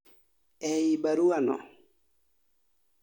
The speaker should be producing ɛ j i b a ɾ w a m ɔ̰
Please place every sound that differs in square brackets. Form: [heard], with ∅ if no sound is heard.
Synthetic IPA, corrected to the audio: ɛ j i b a ɾ [u] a [n] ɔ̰